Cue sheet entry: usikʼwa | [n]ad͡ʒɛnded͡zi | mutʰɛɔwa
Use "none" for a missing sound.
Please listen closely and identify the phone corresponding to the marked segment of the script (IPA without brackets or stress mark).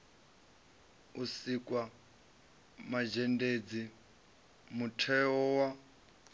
m